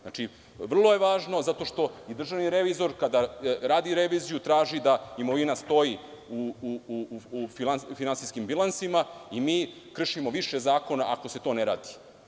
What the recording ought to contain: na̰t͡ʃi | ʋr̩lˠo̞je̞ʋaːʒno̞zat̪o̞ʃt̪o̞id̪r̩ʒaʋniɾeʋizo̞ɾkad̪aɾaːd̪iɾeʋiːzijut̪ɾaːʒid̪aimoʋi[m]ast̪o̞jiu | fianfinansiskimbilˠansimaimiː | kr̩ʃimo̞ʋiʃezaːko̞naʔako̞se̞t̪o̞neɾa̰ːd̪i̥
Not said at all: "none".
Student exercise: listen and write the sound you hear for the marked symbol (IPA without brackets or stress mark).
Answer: n